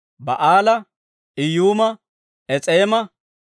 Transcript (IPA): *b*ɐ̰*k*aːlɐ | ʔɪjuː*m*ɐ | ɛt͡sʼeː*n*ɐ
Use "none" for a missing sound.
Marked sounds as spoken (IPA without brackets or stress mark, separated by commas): b, ʔ, m, m